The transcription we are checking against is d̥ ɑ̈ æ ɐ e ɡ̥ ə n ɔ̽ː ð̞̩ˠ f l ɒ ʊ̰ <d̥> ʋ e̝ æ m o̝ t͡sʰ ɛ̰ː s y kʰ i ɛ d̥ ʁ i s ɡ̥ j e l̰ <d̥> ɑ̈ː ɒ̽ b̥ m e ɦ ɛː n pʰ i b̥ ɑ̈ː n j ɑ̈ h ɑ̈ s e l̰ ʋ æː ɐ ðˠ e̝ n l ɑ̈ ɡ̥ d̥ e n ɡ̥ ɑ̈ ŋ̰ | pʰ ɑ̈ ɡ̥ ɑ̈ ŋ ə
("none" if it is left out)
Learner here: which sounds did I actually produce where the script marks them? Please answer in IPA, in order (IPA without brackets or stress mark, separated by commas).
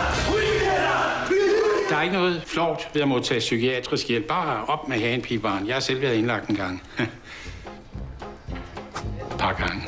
d̥, b̥